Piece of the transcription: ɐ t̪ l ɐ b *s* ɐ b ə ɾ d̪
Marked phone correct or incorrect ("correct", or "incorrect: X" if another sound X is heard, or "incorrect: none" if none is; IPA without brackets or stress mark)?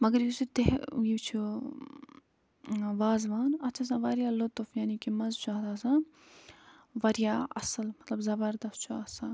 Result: incorrect: z